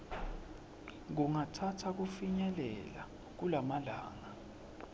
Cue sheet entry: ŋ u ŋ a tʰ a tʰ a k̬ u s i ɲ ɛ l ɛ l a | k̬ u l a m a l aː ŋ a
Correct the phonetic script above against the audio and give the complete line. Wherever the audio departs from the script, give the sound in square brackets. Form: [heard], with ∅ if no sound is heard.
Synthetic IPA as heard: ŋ u ŋ a tʰ a tʰ a k̬ u [f] i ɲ ɛ l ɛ l a | k̬ u l a m a l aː ŋ a